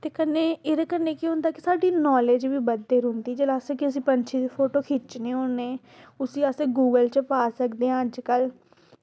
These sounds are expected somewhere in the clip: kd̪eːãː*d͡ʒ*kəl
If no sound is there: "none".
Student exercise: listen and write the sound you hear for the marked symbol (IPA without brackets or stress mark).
d͡ʒ